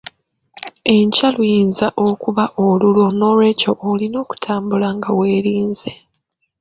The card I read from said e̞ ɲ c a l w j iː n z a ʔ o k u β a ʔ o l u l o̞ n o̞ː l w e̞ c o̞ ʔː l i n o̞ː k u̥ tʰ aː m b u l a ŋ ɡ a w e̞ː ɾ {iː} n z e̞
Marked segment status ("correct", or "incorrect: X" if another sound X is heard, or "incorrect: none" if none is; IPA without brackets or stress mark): correct